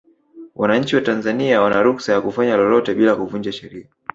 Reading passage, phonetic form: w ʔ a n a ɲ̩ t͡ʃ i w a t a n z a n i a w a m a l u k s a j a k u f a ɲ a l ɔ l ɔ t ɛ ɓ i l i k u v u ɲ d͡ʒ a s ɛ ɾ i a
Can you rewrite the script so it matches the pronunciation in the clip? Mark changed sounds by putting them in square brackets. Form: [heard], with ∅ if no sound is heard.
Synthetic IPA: w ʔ a n a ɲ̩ t͡ʃ i w a t a n z a n i a w a [n] a [ɾ] u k s a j a k u f a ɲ a l ɔ l ɔ t ɛ ɓ i l [a] k u v u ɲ d͡ʒ a [ʃ] ɛ ɾ i a